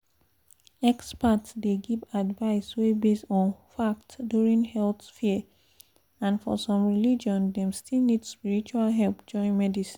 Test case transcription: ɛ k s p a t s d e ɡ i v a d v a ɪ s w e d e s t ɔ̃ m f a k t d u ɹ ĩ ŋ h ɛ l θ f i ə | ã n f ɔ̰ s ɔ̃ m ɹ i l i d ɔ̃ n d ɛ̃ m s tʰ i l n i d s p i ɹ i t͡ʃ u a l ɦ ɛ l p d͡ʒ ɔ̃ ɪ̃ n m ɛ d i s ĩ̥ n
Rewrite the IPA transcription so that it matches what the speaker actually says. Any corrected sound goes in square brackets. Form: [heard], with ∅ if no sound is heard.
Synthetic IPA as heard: ɛ k s p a t s d e ɡ i v a d v a ɪ s w e [b] e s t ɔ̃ [n] f a k t d u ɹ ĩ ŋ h ɛ l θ f i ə | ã n f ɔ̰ s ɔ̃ m ɹ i l i [d͡ʒ] ɔ̃ n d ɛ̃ m s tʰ i l n i d s p i ɹ i t͡ʃ u a l ɦ ɛ l p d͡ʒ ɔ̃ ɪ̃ n m ɛ d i s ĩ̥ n